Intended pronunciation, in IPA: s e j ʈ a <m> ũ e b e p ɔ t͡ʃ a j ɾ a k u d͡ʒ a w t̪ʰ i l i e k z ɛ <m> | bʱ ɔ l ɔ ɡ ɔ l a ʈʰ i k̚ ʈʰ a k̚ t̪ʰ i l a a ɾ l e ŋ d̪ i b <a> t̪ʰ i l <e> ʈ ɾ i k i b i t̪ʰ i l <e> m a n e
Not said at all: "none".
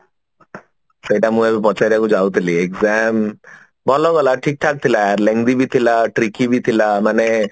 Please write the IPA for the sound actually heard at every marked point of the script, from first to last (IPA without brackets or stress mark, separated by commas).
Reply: m, m, i, a, a